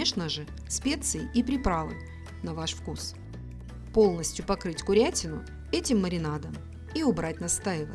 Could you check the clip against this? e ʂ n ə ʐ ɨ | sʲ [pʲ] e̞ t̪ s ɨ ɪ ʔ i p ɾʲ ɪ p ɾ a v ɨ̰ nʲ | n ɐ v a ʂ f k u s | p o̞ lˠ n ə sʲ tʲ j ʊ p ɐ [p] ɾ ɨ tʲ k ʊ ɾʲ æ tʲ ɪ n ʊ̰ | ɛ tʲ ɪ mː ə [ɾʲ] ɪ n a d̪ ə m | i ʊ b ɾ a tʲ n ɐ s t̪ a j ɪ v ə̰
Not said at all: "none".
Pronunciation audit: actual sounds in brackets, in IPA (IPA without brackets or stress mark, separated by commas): pʲ, k, ɾʲ